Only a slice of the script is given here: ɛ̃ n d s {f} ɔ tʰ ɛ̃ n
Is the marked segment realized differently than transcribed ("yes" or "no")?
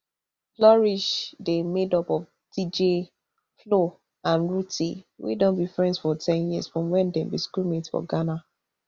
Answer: no